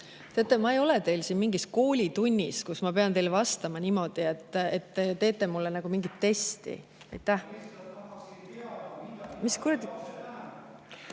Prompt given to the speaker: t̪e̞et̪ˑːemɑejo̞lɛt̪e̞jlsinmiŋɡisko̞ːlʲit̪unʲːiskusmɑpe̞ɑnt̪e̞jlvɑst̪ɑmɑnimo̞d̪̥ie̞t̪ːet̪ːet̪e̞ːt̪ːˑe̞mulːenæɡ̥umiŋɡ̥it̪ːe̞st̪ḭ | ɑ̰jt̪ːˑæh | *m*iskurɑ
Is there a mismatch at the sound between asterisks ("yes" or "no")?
no